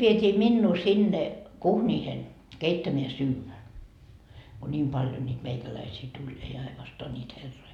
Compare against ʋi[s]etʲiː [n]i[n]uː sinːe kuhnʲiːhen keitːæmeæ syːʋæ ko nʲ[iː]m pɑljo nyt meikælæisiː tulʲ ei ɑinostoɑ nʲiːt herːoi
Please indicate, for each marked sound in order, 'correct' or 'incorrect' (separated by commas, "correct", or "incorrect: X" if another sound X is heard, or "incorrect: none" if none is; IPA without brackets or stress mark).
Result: incorrect: none, incorrect: m, incorrect: nː, correct